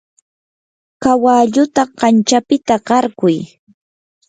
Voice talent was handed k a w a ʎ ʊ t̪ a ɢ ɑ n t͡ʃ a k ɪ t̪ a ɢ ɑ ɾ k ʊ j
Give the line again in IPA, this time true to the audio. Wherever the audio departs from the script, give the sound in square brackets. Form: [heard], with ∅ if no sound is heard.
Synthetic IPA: k a w a ʎ ʊ t̪ a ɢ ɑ n t͡ʃ a [p] ɪ t̪ a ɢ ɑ ɾ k ʊ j